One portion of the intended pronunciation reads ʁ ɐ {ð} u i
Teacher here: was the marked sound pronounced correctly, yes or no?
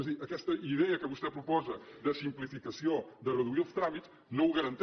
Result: yes